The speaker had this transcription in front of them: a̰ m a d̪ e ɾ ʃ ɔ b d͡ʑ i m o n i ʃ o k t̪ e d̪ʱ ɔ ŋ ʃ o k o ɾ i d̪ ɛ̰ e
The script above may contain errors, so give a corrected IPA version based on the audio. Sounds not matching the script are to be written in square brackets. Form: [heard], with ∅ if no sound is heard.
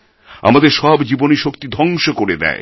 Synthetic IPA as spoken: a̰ m a d̪ e ɾ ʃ ɔ b d͡ʑ i [b] o n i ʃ o k t̪ [i] d̪ʱ ɔ ŋ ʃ o k o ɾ [e] d̪ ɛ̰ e